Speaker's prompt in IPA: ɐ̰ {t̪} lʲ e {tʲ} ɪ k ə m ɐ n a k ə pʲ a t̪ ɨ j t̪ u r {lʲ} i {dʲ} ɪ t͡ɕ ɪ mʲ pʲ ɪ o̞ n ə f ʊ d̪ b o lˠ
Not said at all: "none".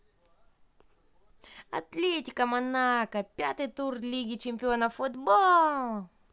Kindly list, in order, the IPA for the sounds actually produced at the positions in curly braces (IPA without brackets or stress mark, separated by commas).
t̪, tʲ, lʲ, ɡʲ